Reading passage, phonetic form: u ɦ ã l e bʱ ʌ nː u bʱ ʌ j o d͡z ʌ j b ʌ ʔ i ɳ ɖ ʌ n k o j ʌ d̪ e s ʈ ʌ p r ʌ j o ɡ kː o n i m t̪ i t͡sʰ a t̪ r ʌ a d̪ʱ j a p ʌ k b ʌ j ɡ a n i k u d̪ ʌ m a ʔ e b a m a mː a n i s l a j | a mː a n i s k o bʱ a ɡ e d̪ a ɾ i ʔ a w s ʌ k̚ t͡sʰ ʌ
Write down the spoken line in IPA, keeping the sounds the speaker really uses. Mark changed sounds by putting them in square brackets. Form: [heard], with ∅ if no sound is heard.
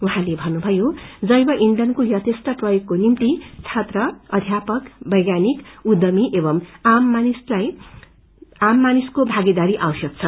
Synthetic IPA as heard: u ɦ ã l e bʱ ʌ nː u bʱ ʌ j o d͡z ʌ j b ʌ ʔ i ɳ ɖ ʌ n k o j ʌ [t̪] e s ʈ ʌ p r ʌ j o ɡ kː o n i m t̪ i t͡sʰ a t̪ r ʌ [ʌ] d̪ʱ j a p ʌ k b ʌ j ɡ a n i k u d̪ ʌ m [i] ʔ e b [ʌ] m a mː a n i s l a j | a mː a n i s k o bʱ a ɡ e d̪ a ɾ i ʔ a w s ʌ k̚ t͡sʰ ʌ